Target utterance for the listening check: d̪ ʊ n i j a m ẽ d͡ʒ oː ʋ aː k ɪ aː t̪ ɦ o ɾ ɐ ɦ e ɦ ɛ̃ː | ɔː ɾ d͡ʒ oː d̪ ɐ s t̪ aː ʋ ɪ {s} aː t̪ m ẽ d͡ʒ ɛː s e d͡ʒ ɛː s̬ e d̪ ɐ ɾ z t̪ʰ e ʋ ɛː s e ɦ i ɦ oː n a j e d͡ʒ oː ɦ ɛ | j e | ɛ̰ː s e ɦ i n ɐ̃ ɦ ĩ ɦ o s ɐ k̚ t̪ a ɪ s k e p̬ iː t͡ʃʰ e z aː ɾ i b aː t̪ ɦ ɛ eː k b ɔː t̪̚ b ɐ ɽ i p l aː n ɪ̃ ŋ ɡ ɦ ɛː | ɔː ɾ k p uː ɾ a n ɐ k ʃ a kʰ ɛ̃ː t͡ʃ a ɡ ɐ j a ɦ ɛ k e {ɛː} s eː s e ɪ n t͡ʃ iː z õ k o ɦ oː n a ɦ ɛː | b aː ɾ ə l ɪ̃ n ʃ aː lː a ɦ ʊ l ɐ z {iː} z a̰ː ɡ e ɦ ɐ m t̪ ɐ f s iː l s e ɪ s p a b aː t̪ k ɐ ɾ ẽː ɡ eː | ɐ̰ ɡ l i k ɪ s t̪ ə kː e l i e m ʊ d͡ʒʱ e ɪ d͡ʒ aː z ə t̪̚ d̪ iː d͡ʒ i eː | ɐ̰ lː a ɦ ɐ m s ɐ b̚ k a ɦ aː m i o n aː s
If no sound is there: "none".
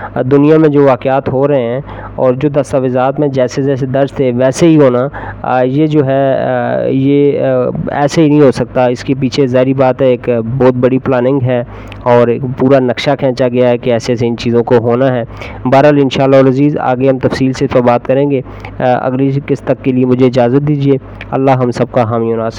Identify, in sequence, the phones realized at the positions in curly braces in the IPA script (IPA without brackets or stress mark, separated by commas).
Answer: z, ɛː, iː